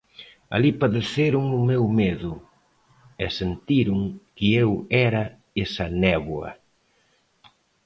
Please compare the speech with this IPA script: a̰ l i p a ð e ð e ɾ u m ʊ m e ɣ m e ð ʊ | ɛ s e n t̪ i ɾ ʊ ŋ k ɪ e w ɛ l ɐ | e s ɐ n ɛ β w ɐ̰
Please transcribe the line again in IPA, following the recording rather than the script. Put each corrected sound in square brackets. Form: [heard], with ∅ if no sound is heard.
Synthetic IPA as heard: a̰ l i p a ð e [θ] e ɾ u [ŋ] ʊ m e [w] m e ð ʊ | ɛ s e n t̪ i ɾ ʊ ŋ k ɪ e w ɛ [ɾ] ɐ | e s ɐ n ɛ β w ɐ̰